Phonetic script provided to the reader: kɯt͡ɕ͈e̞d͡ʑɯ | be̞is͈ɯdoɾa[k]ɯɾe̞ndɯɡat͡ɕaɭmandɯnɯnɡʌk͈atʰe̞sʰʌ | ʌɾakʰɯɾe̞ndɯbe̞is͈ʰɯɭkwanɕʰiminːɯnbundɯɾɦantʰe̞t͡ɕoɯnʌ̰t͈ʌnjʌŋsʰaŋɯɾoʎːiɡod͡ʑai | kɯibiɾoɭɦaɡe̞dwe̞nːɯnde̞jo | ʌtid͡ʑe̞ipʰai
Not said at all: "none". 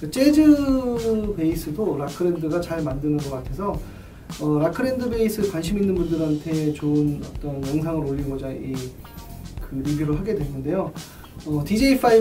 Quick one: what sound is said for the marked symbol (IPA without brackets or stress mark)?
kʰ